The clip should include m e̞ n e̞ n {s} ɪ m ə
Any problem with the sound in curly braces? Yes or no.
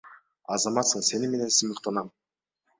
no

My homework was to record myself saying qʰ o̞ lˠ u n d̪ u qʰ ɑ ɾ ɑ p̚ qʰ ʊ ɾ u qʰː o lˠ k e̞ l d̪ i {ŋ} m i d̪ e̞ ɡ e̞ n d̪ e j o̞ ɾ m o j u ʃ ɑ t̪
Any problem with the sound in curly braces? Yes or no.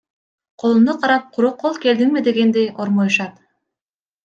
no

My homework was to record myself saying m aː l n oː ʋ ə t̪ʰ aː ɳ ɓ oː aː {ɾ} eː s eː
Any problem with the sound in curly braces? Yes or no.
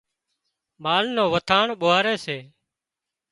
no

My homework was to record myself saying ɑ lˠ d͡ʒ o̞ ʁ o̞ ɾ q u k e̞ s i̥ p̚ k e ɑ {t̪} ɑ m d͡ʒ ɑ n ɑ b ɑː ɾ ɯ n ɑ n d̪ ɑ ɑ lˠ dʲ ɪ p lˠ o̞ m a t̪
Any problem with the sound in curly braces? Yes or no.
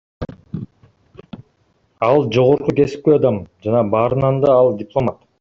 yes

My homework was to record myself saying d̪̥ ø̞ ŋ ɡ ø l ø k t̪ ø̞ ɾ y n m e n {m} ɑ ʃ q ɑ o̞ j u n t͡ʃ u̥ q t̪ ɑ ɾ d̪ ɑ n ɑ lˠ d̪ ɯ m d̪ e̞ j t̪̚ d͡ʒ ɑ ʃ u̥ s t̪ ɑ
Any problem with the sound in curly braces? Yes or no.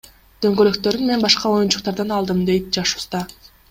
yes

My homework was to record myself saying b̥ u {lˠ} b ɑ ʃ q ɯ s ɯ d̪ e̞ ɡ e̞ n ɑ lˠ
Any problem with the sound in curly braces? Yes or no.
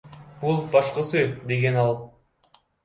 no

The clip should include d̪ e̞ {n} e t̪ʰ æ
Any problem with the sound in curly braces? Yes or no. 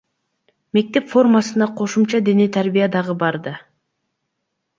no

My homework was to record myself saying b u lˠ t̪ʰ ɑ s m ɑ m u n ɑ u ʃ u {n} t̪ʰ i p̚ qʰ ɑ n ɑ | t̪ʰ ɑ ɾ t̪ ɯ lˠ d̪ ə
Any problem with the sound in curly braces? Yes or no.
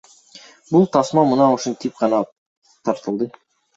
no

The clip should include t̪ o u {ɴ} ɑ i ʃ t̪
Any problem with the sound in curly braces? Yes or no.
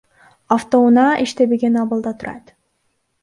yes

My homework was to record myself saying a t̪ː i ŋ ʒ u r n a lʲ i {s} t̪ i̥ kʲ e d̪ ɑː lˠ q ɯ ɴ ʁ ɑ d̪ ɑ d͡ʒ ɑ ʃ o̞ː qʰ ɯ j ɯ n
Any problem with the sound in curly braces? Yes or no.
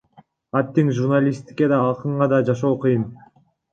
no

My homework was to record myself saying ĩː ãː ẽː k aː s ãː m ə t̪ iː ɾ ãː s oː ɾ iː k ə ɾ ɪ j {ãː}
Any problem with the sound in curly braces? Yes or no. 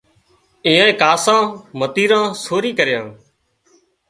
no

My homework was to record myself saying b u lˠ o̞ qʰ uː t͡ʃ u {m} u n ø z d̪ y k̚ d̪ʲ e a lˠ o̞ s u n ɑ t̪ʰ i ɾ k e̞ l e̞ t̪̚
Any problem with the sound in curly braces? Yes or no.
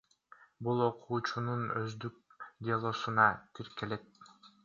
yes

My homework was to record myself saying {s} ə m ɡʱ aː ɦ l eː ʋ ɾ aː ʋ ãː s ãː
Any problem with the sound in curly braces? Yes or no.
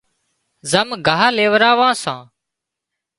yes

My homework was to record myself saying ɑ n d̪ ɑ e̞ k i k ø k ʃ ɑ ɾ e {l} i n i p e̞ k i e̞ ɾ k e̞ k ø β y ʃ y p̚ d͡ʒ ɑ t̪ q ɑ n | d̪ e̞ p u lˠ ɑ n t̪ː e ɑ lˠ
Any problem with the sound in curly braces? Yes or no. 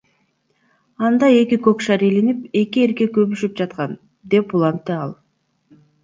no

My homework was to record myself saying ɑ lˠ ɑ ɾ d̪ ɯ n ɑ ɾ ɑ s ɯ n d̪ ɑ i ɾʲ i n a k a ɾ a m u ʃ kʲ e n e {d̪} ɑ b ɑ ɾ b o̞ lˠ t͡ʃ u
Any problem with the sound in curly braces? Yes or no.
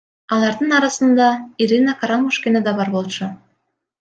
no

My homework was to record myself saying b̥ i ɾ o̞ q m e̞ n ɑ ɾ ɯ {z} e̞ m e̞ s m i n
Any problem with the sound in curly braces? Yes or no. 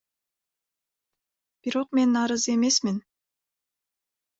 no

